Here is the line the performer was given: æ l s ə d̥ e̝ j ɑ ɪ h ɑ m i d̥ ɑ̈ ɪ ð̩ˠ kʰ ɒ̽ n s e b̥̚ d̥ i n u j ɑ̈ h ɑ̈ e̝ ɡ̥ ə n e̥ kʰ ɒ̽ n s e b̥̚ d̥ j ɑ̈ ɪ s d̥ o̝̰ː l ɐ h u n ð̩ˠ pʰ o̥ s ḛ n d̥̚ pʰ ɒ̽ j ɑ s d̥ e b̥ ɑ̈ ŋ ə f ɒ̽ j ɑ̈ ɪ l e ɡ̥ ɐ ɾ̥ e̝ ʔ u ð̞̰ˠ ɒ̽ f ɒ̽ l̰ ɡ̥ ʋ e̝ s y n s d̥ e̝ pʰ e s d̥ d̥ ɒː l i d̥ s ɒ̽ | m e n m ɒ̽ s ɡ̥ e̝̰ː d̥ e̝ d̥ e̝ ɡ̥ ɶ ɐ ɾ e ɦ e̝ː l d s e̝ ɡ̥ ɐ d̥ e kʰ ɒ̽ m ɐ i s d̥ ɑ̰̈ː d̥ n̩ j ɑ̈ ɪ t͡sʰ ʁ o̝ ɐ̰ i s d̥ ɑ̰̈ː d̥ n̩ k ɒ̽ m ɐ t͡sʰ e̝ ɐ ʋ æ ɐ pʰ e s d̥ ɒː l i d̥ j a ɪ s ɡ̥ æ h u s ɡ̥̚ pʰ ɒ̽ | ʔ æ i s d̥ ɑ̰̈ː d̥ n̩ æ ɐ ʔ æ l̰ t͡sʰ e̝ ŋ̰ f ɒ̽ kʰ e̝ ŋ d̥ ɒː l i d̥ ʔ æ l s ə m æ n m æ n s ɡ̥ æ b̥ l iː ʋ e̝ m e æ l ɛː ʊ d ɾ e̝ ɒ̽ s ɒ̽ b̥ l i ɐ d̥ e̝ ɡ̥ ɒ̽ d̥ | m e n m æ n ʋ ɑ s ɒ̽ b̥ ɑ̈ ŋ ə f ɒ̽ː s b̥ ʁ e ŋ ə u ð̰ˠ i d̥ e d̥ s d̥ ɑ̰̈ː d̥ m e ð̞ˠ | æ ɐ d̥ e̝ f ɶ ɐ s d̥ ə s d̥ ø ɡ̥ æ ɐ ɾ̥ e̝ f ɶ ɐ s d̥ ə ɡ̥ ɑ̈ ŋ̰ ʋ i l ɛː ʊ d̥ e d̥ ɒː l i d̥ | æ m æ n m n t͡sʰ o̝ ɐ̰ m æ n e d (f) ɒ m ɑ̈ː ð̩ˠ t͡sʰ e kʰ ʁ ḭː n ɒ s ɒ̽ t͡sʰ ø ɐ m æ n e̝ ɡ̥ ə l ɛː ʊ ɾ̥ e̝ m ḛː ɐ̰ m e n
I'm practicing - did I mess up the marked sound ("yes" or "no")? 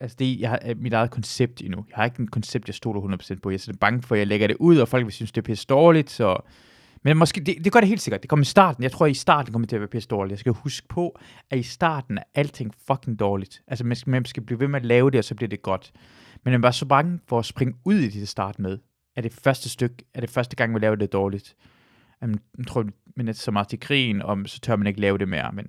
yes